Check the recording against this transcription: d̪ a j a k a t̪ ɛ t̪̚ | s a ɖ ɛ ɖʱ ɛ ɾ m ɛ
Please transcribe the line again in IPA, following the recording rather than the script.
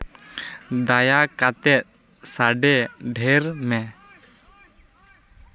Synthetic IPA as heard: d̪ a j a k a t̪ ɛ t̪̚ | s a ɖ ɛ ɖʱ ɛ ɾ m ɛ